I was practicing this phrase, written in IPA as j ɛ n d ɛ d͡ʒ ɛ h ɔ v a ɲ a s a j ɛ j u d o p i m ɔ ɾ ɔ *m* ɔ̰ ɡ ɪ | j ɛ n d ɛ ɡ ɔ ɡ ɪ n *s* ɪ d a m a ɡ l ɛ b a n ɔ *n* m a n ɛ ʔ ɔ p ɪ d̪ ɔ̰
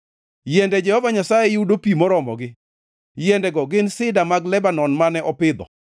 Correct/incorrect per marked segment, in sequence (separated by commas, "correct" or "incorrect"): correct, correct, correct